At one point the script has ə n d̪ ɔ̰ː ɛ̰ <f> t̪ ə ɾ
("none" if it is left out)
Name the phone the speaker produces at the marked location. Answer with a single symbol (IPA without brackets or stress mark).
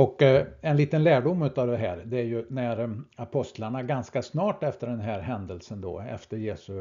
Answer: f